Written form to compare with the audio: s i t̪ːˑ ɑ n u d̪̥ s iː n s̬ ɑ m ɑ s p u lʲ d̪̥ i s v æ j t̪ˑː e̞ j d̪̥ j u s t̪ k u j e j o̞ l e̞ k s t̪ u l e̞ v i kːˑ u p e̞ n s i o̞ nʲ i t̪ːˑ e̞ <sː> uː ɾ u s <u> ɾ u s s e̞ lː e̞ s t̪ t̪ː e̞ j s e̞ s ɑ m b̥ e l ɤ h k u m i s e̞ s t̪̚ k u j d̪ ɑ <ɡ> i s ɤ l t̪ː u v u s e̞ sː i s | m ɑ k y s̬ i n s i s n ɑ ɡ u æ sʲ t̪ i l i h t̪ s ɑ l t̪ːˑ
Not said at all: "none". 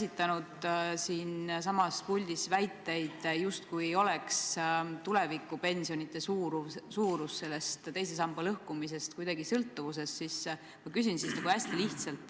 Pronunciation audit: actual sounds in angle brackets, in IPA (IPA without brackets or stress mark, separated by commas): s, uː, ɡ